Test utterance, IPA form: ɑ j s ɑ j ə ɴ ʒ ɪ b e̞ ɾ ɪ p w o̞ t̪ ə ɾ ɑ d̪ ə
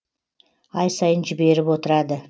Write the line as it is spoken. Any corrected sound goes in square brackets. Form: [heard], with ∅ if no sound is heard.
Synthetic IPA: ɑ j s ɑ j ə [n] ʒ ɪ b e̞ ɾ ɪ p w o̞ t̪ ə ɾ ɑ d̪ ə